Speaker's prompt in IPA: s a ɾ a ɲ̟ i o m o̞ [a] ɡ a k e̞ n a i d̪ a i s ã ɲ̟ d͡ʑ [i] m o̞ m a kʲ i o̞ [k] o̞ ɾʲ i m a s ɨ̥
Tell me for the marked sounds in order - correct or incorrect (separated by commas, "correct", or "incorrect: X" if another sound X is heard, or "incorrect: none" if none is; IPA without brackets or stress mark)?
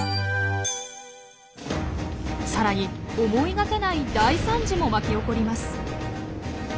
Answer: incorrect: i, correct, correct